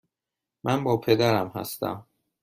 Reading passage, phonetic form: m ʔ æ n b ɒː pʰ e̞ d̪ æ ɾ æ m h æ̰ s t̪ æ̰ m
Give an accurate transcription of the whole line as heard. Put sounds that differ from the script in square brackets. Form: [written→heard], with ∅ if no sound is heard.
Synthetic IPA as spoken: m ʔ æ n b ɒː pʰ e̞ d̪ æ ɾ æ m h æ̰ s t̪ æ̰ m